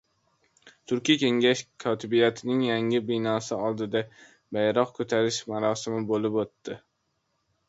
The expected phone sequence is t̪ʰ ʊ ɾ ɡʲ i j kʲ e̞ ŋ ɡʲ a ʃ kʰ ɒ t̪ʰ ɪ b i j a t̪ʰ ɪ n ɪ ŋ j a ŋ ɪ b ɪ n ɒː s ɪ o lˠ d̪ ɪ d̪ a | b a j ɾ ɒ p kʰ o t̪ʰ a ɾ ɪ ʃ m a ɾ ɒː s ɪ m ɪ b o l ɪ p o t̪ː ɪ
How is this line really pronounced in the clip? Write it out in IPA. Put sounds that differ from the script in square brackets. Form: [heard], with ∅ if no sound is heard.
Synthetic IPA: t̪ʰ ʊ ɾ [kʲ] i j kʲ e̞ ŋ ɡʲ a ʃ kʰ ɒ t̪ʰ ɪ b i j a t̪ʰ ɪ n ɪ ŋ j a ŋ ɪ b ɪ n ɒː s ɪ [ɒ] lˠ d̪ ɪ d̪ a | b a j ɾ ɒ [q] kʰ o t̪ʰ a ɾ ɪ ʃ m a ɾ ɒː s ɪ m ɪ b o l ɪ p o t̪ː ɪ